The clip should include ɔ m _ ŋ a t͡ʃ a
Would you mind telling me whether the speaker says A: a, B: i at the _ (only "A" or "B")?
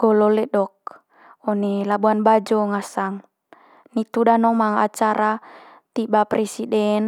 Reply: A